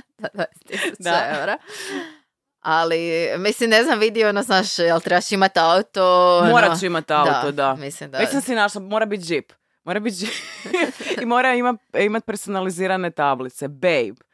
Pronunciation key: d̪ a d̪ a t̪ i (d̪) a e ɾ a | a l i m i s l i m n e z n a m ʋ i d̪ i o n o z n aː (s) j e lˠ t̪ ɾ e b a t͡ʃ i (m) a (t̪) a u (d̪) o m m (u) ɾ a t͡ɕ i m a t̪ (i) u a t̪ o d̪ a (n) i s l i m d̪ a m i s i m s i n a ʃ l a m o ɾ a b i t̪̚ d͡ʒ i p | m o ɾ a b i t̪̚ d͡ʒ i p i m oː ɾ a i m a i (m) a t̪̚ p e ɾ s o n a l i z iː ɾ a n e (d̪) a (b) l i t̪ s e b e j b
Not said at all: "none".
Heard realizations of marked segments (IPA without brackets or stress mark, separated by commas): d̪, ʃ, m, t̪, t̪, o, a, m, m, t̪, b